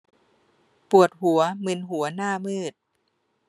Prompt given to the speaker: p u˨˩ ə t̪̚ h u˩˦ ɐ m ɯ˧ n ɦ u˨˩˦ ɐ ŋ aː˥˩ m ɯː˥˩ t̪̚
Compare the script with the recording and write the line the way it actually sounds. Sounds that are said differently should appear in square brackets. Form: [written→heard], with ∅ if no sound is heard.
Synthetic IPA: p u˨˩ ə t̪̚ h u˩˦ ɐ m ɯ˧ n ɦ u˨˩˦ ɐ [ŋ→n] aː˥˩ m ɯː˥˩ t̪̚